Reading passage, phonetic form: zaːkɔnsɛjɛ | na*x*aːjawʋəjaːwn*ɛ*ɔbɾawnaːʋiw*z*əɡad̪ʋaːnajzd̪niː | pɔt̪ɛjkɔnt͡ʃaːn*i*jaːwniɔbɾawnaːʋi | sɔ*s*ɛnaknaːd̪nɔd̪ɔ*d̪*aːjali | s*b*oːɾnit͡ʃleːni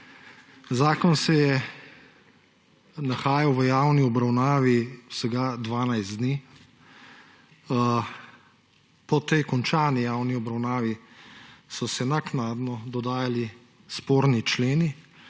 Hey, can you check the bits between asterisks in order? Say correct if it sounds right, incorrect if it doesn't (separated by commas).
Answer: correct, incorrect, incorrect, correct, correct, correct, incorrect